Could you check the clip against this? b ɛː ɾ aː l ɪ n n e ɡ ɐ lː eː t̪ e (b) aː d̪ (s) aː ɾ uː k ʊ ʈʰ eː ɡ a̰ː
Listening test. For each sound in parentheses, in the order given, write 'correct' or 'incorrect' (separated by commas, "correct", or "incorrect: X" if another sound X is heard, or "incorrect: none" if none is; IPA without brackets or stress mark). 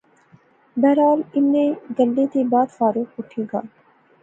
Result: correct, incorrect: f